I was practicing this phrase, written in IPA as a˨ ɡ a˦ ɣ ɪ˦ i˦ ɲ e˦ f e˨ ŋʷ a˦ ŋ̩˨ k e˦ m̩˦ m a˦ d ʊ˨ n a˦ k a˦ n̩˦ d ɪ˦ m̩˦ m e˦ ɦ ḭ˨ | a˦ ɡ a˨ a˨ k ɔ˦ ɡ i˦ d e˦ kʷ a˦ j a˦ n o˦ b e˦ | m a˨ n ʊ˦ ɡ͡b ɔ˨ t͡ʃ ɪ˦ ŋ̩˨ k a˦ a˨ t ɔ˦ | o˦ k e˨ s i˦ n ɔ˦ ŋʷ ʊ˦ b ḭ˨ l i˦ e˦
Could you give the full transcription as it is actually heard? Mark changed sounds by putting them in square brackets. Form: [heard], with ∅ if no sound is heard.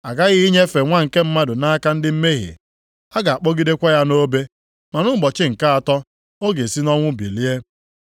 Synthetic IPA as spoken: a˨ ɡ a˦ ɣ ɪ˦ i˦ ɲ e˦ f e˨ ŋʷ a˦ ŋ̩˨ k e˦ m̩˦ m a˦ d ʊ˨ n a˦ k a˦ n̩˦ d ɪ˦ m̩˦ m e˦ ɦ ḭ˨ | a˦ ɡ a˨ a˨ [k͡p] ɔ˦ ɡ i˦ d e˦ kʷ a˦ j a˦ n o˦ b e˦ | m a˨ n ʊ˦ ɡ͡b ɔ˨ t͡ʃ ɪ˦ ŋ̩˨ k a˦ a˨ t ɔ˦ | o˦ [ɡ] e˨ s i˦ n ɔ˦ ŋʷ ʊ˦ b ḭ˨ l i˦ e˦